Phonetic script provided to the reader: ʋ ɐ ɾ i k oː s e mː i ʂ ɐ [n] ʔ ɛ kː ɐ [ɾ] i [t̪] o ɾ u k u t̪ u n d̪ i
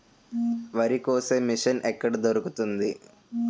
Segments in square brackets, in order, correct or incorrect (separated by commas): correct, incorrect, incorrect